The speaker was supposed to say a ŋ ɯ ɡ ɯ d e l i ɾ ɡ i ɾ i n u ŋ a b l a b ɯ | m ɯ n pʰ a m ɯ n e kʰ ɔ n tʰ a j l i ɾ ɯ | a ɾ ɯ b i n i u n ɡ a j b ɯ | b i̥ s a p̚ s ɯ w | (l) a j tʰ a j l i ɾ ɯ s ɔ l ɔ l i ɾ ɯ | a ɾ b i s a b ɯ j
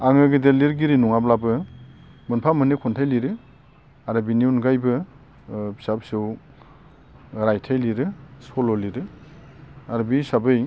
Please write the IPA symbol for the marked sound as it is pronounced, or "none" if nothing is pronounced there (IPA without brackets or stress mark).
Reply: ɾ